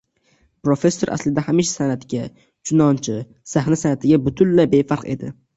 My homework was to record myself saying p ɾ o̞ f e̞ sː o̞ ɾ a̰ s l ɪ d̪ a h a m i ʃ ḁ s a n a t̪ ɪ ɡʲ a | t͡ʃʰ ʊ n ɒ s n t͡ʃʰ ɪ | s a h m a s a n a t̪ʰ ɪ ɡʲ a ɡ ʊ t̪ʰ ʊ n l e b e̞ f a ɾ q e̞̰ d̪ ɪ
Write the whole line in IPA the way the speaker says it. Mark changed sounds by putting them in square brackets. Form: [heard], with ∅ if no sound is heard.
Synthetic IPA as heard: p ɾ o̞ f e̞ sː o̞ ɾ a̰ s l ɪ d̪ a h a m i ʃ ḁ s a n a t̪ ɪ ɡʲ a | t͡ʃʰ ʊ n ɒ [∅] n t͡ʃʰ ɪ | s a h [n] a s a n a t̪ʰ ɪ ɡʲ a [b] ʊ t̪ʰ ʊ n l [a] b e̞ f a ɾ q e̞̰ d̪ ɪ